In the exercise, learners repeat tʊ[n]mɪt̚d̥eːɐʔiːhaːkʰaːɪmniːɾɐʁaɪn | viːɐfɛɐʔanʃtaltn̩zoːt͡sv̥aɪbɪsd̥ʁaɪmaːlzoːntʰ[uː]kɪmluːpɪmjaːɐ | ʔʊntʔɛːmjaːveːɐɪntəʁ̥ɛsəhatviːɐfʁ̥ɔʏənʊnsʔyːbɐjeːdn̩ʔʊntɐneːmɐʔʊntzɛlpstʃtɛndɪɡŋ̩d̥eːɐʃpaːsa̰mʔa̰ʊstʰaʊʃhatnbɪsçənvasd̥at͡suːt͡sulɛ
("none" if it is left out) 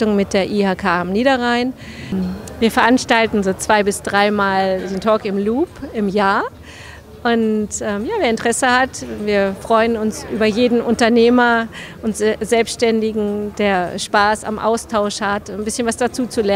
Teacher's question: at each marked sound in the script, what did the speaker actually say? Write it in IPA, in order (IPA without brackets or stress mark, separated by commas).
ŋ, ɔː